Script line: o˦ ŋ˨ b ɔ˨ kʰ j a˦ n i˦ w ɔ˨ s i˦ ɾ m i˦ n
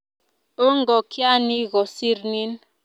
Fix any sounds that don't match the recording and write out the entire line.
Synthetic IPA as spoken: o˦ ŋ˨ ɡ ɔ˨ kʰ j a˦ n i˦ ɣ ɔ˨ s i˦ ɾ n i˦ n